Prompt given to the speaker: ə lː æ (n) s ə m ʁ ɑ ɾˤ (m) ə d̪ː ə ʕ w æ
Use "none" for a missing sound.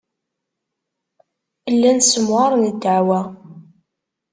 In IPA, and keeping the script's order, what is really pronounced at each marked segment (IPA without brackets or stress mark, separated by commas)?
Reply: n, n